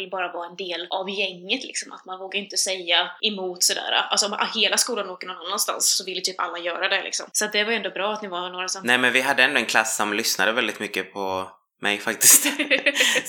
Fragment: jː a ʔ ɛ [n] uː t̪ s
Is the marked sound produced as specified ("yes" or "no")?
no